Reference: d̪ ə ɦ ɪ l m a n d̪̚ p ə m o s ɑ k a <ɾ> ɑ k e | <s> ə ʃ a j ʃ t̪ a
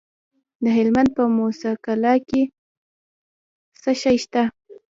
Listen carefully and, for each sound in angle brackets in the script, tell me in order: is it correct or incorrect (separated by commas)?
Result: incorrect, correct